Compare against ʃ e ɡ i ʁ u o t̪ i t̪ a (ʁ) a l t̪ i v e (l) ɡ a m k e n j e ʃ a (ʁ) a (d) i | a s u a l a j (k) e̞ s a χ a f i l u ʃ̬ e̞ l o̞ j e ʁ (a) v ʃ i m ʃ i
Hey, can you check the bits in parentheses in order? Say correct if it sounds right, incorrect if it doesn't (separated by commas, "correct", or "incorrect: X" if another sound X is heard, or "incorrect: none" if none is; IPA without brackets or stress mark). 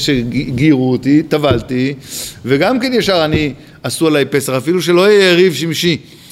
incorrect: v, incorrect: none, correct, incorrect: n, incorrect: p, incorrect: i